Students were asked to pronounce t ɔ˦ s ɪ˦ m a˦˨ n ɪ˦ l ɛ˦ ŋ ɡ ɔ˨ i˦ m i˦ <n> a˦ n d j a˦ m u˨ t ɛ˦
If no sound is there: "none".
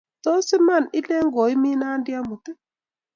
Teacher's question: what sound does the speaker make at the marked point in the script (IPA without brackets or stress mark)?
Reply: n